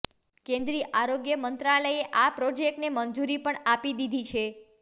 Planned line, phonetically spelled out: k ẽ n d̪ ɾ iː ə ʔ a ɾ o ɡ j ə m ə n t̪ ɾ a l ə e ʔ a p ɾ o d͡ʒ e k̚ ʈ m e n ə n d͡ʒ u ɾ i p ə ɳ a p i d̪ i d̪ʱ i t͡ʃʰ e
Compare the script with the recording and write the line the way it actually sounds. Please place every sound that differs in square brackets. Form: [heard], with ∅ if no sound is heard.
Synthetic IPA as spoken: k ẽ n d̪ ɾ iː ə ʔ a ɾ o ɡ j ə m ə n t̪ ɾ a l ə e ʔ a p ɾ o d͡ʒ e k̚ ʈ [n] e [m] ə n d͡ʒ u ɾ i p ə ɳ a p i d̪ i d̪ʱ i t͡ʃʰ e